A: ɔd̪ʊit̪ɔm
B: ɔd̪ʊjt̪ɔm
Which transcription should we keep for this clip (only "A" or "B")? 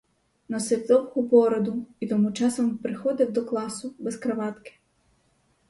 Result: A